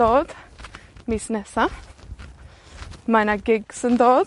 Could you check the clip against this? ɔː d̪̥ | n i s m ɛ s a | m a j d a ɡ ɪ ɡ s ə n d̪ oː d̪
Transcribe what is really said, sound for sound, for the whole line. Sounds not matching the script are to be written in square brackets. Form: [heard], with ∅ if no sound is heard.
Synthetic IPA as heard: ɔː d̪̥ | [m] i s [n] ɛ s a | m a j [n] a ɡ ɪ ɡ s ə n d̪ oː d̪